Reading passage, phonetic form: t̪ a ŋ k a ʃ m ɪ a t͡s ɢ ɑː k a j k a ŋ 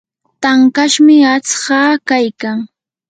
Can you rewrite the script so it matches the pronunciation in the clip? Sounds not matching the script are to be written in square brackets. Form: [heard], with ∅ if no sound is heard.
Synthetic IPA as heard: t̪ a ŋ k a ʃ m ɪ a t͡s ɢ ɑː k a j k a ŋ